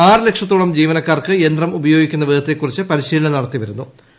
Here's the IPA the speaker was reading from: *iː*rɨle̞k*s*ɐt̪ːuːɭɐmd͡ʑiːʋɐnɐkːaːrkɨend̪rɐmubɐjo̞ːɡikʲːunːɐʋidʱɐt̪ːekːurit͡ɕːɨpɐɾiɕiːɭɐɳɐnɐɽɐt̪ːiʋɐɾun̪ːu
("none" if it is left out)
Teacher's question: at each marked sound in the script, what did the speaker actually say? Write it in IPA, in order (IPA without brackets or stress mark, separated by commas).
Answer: aː, ʂ